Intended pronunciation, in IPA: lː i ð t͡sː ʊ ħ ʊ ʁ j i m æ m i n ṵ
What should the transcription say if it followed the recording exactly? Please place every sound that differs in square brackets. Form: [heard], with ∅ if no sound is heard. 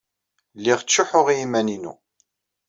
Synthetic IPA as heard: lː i [ʁ] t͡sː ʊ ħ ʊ ʁ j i m æ [n] i n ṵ